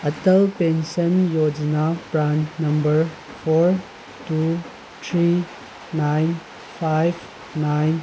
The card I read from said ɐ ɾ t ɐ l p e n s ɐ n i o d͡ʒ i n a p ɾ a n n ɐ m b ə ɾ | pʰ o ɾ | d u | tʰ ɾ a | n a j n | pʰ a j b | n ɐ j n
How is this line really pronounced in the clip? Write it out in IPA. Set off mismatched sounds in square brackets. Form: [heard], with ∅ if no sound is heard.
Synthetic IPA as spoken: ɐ [∅] t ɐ l p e n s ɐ n [j] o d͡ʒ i n a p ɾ a n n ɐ m b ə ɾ | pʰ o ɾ | [t] u | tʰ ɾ [i] | n a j n | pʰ a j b | n [a] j n

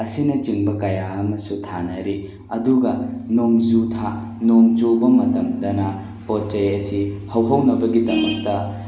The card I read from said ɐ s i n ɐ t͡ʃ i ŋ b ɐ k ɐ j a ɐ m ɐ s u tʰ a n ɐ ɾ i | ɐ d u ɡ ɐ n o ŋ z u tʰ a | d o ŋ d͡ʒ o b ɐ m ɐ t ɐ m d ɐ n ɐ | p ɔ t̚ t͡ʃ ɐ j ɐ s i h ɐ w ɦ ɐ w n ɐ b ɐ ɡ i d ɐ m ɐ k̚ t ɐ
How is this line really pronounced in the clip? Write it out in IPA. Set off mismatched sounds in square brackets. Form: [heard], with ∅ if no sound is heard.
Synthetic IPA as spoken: ɐ s i n ɐ t͡ʃ i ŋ b ɐ k ɐ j a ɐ m ɐ s u tʰ a n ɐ ɾ i | ɐ d u ɡ ɐ n o ŋ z u tʰ a | [n] o ŋ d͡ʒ o b ɐ m ɐ t ɐ m d ɐ n ɐ | p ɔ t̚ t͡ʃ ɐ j ɐ s i h ɐ w ɦ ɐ w n ɐ b ɐ ɡ i d ɐ m ɐ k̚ t ɐ

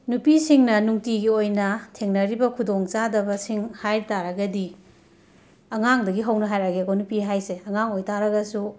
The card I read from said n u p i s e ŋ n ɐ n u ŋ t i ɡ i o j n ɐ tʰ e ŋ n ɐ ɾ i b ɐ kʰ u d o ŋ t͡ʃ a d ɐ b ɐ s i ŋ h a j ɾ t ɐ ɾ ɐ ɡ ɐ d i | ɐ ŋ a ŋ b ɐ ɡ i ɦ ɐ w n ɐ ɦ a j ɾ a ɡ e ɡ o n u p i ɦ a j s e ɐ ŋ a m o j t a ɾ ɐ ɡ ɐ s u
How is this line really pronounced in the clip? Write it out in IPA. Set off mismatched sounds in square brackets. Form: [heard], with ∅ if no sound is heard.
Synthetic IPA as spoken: n u p i s [i] ŋ n ɐ n u ŋ t i ɡ i o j n ɐ tʰ e ŋ n ɐ ɾ i b ɐ kʰ u d o ŋ t͡ʃ a d ɐ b ɐ s i ŋ h a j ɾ t [a] ɾ ɐ ɡ ɐ d i | ɐ ŋ a ŋ [d] ɐ ɡ i ɦ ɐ w n ɐ ɦ a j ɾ a ɡ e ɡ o n u p i ɦ a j s e ɐ ŋ a [ŋ] o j t a ɾ ɐ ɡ ɐ s u

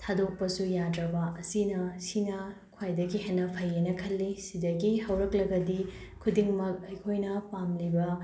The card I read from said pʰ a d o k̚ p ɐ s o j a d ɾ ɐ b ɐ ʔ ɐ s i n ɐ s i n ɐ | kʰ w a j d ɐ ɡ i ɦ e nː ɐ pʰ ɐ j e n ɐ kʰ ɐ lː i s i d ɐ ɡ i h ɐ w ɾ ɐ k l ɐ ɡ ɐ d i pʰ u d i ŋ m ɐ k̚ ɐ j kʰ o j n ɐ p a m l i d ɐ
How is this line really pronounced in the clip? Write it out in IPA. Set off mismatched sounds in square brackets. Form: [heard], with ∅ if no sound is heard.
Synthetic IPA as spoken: [tʰ] a d o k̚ p ɐ s [u] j a d ɾ ɐ b ɐ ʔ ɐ s i n ɐ s i n ɐ | kʰ w a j d ɐ ɡ i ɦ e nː ɐ pʰ ɐ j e n ɐ kʰ ɐ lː i s i d ɐ ɡ i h ɐ w ɾ ɐ k l ɐ ɡ ɐ d i [kʰ] u d i ŋ m ɐ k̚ ɐ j kʰ o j n ɐ p a m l i [b] ɐ

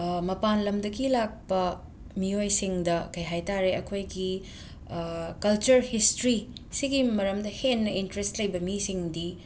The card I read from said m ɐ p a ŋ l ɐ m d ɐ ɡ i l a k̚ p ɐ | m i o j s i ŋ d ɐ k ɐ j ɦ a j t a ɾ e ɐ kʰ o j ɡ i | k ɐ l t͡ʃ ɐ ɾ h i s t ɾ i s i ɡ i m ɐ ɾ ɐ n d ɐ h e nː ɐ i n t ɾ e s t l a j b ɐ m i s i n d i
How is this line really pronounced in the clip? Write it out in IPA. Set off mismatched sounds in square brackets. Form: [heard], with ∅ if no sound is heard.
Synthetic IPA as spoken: m ɐ p a [n] l ɐ m d ɐ ɡ i l a k̚ p ɐ | m i o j s i ŋ d ɐ k ɐ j ɦ a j t a ɾ e ɐ kʰ o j ɡ i | k ɐ l t͡ʃ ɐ ɾ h i s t ɾ i s i ɡ i m ɐ ɾ ɐ [m] d ɐ h e nː ɐ i n t ɾ e s t l [ɐ] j b ɐ m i s i [ŋ] d i

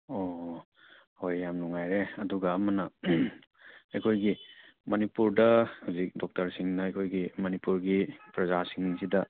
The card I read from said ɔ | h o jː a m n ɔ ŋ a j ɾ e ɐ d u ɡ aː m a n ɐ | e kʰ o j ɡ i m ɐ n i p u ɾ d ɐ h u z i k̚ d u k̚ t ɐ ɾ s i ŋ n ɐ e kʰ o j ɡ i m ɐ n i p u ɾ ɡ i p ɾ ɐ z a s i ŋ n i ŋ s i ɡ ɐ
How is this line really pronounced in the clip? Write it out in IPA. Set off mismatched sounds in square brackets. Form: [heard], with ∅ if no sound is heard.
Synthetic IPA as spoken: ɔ | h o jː a m n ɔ ŋ a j ɾ e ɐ d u ɡ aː m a n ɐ | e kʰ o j ɡ i m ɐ n i p u ɾ d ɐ h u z i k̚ d [ɔ] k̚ t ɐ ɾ s i ŋ n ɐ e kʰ o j ɡ i m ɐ n i p u ɾ ɡ i p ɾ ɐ z a s i ŋ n i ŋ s i [d] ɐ

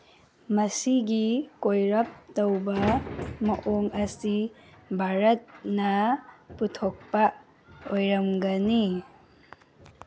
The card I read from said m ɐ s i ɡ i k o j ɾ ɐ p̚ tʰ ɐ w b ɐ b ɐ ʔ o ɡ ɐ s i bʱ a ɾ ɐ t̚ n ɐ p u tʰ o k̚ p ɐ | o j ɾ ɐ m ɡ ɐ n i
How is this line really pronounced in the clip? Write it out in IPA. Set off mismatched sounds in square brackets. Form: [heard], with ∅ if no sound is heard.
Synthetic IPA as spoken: m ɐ s i ɡ i k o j ɾ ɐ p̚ [t] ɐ w b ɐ [m] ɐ ʔ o [ŋ] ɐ s i bʱ a ɾ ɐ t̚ n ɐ p u tʰ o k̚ p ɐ | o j ɾ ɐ m ɡ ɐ n i

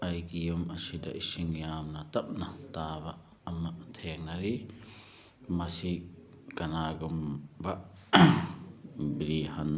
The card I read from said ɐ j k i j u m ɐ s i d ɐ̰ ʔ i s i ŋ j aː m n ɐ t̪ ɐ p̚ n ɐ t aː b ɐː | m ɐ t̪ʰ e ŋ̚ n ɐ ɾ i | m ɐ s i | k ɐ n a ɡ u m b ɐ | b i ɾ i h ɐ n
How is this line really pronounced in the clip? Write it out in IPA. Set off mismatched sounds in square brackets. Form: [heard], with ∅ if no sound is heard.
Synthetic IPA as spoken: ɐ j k i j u m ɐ s i d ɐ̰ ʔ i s i ŋ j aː m n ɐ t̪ ɐ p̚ n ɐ t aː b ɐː | m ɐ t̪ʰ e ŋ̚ n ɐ ɾ i | m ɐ s i | k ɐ n a ɡ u m b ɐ | b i ɾ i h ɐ n

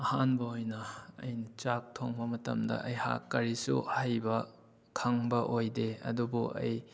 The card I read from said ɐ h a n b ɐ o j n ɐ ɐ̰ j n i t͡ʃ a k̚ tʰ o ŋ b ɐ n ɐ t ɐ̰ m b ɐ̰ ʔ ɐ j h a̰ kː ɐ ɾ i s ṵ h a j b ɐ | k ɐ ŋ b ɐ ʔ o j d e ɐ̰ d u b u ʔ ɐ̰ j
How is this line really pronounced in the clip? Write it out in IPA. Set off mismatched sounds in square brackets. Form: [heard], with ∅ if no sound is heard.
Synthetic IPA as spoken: ɐ h a n b ɐ o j n ɐ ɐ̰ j n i t͡ʃ a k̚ tʰ o ŋ b ɐ [m] ɐ t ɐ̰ m [d] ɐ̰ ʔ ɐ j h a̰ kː ɐ ɾ i s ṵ h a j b ɐ | [kʰ] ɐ ŋ b ɐ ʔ o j d e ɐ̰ d u b u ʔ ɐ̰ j

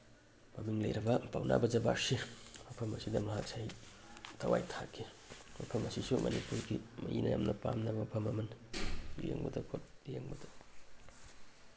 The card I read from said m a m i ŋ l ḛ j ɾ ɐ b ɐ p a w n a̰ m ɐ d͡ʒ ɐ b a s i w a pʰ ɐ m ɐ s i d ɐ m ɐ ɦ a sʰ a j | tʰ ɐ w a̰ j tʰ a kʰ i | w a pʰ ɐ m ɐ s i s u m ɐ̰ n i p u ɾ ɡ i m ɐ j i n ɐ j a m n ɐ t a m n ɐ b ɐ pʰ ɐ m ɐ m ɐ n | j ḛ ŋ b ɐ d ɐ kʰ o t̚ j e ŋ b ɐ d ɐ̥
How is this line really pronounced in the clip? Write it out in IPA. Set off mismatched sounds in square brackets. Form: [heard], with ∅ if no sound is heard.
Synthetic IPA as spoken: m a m i ŋ l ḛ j ɾ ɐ b ɐ p a w n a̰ [b] ɐ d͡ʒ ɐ b a s i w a pʰ ɐ m ɐ s i d ɐ m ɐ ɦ a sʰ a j | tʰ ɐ w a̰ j tʰ a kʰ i | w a pʰ ɐ m ɐ s i s u m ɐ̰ n i p u ɾ ɡ i m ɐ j i n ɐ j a m n ɐ [p] a m n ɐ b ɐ pʰ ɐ m ɐ m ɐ n | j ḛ ŋ b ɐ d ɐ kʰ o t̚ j e ŋ b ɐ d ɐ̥

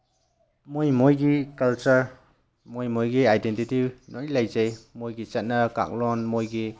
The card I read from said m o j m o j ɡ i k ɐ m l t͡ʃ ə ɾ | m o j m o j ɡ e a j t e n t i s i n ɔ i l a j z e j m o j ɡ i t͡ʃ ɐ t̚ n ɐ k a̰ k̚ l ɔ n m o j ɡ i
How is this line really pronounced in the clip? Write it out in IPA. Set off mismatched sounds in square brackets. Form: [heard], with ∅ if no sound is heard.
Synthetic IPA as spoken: m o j m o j ɡ i k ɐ [∅] l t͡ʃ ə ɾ | m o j m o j ɡ [i] a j [d] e n t i [t] i n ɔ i l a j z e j m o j ɡ i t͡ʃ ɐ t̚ n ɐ k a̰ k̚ l ɔ n m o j ɡ i

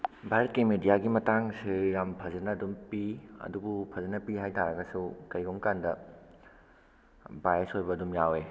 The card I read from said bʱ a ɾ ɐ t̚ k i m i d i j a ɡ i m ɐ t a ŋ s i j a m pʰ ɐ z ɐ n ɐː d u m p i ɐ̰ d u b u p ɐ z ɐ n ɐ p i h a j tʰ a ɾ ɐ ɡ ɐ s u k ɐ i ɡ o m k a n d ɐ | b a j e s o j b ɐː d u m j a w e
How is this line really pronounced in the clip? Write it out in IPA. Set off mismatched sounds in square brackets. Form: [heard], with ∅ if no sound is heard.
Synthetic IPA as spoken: bʱ a ɾ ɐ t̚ k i m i d i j a ɡ i m ɐ t a ŋ s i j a m pʰ ɐ z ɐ n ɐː d u m p i ɐ̰ d u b u [pʰ] ɐ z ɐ n ɐ p i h a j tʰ a ɾ ɐ ɡ ɐ s u k ɐ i ɡ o m k a n d ɐ | b a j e s o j b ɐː d u m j a w e

